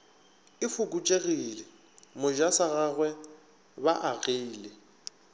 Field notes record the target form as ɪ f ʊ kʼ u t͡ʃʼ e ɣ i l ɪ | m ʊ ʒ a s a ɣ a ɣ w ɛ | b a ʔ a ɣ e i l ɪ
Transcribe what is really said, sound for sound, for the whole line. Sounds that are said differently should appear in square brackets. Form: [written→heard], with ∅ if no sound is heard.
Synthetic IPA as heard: ɪ f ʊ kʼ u t͡ʃʼ e ɣ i l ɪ | m ʊ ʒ a s a ɣ a ɣ w ɛ | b a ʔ a ɣ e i l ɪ